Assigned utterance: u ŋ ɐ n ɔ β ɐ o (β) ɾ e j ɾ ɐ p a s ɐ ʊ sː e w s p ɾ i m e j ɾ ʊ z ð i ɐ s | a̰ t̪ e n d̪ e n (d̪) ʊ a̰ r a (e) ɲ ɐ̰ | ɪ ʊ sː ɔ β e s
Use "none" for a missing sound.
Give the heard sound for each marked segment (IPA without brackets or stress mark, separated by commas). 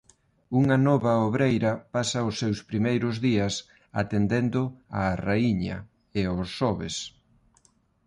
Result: β, d̪, i